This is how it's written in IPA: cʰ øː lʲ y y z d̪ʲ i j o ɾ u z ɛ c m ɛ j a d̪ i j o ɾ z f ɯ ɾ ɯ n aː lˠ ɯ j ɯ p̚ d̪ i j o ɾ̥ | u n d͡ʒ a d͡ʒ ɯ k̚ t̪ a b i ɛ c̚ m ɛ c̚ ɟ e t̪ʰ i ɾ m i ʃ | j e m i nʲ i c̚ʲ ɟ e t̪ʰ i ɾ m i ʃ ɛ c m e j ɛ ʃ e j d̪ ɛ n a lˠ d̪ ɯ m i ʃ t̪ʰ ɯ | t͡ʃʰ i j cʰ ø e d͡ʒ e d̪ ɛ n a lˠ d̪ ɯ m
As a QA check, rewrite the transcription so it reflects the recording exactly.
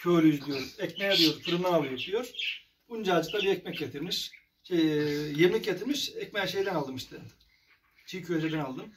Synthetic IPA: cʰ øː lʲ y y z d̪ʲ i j o ɾ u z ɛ c m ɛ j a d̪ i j o ɾ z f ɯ ɾ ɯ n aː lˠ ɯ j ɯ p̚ d̪ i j o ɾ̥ | u n d͡ʒ a d͡ʒ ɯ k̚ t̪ a b i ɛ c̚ m ɛ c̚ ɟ e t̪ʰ i ɾ m i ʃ | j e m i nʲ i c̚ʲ ɟ e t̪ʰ i ɾ m i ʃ ɛ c m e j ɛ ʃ e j d̪ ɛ n a lˠ d̪ ɯ m i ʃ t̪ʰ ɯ | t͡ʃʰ i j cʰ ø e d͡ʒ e d̪ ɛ n a lˠ d̪ ɯ m